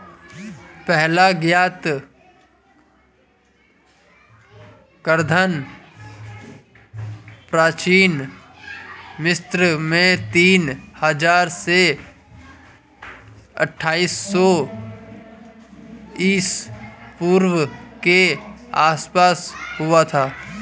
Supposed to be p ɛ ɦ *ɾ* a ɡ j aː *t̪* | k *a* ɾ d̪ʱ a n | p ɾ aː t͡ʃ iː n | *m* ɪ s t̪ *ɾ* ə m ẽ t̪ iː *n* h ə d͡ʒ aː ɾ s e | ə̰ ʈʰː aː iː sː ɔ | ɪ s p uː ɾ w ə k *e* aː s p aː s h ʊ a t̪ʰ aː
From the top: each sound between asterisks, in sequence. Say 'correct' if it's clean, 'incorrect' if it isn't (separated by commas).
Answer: incorrect, correct, incorrect, correct, correct, correct, correct